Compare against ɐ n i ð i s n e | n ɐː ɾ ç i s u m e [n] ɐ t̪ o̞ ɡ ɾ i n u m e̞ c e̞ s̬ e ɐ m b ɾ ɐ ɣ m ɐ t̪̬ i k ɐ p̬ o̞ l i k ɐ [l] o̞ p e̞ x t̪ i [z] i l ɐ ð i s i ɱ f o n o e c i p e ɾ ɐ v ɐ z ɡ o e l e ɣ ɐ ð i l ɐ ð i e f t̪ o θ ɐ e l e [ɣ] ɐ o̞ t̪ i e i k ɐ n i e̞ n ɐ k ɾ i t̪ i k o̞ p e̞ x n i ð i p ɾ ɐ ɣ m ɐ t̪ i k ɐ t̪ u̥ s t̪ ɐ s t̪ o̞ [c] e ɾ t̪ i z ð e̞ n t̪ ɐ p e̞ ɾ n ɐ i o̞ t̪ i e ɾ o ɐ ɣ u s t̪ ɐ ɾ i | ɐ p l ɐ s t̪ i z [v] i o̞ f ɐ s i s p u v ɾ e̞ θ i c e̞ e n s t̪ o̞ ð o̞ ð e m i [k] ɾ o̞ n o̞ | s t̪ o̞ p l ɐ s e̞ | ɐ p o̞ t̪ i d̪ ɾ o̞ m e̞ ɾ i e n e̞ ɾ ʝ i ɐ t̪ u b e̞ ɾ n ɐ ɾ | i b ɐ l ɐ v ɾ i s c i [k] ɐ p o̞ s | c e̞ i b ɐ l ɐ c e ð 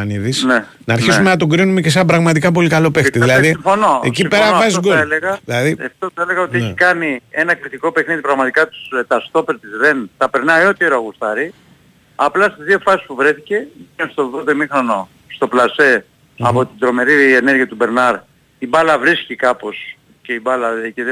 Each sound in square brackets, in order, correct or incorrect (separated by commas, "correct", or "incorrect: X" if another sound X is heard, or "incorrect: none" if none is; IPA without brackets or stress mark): correct, correct, incorrect: ð, correct, incorrect: p, incorrect: ð, incorrect: x, correct